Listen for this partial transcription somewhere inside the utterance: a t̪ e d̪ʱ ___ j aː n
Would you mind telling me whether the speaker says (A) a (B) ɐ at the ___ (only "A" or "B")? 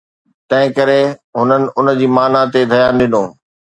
B